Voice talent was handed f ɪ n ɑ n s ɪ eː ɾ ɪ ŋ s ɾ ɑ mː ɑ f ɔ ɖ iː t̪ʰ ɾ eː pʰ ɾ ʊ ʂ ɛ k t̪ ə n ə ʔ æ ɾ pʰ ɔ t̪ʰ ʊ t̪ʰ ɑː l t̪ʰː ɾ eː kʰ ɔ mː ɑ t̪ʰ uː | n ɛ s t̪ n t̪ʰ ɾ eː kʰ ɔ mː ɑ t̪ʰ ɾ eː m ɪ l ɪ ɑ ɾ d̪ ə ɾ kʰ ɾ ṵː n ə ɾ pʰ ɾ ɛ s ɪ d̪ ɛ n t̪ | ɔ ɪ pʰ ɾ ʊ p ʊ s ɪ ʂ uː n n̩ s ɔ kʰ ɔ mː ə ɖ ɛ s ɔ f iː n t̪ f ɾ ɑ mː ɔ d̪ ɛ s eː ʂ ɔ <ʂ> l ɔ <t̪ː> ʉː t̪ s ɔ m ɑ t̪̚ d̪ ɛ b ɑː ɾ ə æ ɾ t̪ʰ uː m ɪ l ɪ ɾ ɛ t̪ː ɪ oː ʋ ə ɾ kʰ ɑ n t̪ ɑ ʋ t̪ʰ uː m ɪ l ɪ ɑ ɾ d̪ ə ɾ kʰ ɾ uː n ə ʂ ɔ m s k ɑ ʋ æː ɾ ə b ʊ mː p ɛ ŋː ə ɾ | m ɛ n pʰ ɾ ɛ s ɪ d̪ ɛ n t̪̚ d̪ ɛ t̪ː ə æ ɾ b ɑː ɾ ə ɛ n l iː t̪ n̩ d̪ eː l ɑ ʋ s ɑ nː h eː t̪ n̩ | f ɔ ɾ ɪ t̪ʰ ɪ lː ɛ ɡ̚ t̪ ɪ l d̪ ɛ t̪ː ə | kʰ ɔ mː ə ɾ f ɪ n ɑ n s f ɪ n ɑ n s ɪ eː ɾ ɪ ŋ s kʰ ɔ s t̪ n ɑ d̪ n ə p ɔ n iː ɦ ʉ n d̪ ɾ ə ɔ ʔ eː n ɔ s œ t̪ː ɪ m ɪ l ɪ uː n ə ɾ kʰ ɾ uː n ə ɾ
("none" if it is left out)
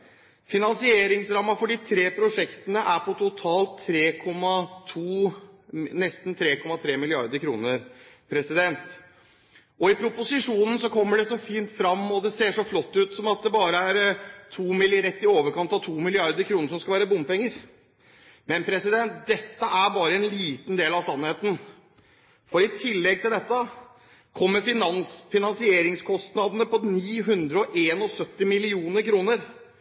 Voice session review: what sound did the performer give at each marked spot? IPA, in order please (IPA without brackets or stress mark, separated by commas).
f, t̪ː